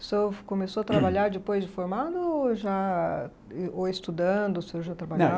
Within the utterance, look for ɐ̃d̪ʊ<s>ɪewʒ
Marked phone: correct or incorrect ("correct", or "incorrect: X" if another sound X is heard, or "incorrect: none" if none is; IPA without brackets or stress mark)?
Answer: correct